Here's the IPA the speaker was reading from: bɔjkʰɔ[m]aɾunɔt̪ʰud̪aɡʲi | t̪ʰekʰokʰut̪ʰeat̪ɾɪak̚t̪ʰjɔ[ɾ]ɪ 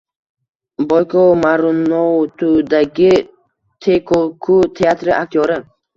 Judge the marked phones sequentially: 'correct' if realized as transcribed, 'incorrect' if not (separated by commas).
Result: correct, correct